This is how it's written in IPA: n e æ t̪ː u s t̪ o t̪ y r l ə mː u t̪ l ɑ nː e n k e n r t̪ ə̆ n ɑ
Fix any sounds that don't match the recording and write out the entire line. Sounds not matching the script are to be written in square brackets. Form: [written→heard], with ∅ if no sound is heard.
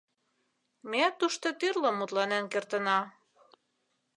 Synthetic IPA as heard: [n→m] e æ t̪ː u [s→ʃ] t̪ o t̪ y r l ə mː u t̪ l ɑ [nː→n] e n k e [n→∅] r t̪ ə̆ n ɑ